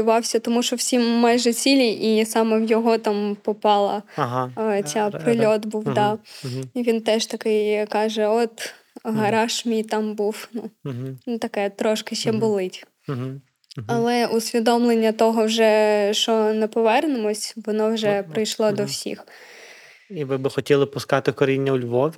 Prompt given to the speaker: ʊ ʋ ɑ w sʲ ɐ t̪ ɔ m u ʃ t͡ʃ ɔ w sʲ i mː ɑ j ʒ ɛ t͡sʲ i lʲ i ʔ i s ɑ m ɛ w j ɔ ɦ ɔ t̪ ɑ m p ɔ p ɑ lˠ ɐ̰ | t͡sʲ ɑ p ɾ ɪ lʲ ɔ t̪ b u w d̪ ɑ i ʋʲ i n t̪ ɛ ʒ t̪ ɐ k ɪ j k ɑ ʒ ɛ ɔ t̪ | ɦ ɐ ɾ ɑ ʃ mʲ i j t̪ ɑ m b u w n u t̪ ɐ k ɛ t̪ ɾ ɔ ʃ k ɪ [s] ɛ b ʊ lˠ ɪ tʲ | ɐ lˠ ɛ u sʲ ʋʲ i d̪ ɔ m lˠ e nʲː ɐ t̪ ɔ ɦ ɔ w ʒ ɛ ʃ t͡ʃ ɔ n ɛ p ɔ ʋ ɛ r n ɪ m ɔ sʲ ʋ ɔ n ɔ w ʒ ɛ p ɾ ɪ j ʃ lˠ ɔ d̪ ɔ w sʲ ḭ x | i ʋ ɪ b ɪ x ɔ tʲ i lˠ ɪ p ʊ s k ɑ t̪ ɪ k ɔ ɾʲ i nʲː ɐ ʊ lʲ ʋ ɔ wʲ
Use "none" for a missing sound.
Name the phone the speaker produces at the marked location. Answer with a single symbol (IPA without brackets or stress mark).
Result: ʃ